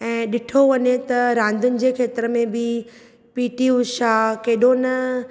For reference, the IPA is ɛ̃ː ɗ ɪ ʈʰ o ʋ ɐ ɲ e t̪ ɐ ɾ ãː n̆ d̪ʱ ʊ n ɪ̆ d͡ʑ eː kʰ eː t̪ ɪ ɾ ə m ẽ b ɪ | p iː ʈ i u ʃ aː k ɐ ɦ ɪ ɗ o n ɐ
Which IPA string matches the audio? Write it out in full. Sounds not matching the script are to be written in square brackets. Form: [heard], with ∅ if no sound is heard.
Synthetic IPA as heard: ɛ̃ː ɗ ɪ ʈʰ o ʋ ɐ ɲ e t̪ ɐ ɾ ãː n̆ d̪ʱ ʊ n ɪ̆ d͡ʑ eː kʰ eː t̪ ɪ ɾ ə m ẽ b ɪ | p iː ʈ i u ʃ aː k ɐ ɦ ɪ ɗ o n ɐ